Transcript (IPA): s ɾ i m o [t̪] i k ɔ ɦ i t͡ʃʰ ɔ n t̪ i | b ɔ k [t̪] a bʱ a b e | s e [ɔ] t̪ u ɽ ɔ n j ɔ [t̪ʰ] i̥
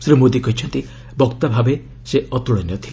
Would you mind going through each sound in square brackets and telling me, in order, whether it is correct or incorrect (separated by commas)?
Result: incorrect, correct, correct, correct